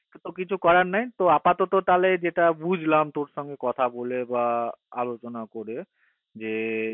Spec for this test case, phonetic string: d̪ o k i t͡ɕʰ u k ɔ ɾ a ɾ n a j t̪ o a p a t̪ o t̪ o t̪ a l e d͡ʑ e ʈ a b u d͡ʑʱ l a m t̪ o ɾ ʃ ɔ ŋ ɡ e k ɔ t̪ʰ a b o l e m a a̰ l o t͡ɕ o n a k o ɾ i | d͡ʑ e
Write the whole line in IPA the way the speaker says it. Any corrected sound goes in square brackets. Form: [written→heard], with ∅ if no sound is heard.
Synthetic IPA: [d̪→t̪] o k i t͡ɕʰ u k ɔ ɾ a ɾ n a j t̪ o a p a t̪ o t̪ o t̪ a l e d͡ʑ e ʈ a b u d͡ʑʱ l a m t̪ o ɾ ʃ ɔ ŋ ɡ e k ɔ t̪ʰ a b o l e [m→b] a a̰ l o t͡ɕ o n a k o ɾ [i→e] | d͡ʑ e